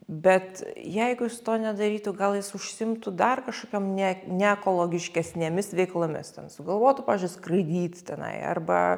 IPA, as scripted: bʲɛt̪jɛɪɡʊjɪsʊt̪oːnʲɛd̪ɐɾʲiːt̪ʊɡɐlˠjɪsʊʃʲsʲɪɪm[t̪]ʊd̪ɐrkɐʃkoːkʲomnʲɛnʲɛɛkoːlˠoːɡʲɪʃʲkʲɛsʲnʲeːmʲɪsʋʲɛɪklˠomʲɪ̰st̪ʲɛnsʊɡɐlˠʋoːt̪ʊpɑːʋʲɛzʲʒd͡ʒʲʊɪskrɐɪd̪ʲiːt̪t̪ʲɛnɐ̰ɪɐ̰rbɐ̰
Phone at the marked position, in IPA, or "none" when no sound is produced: t̪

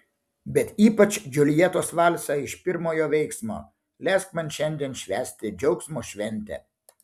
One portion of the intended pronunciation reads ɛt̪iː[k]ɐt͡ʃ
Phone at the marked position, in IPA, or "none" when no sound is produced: p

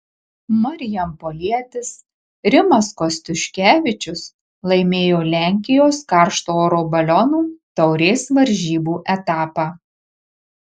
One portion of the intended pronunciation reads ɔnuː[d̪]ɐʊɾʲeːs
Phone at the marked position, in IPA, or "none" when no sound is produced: t̪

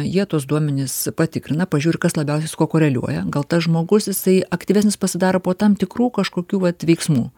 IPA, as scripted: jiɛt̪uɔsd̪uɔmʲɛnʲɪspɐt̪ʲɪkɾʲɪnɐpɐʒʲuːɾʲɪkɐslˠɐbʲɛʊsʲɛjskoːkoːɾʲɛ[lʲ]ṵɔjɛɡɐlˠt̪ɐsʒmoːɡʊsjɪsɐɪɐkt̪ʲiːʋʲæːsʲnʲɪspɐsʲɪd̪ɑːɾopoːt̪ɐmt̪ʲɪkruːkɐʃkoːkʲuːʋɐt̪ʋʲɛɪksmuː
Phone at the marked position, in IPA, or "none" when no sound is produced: lʲ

